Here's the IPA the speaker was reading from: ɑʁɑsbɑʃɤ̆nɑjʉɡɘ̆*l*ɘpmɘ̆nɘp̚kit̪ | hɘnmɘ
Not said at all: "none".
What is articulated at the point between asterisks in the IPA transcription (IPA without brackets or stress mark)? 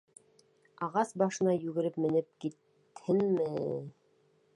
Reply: ɾ